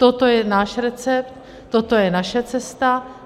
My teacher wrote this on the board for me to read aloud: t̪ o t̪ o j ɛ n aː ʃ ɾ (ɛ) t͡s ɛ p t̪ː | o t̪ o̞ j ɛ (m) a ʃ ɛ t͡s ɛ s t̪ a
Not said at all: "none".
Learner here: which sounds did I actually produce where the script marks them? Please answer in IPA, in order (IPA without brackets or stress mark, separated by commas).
ɛ, n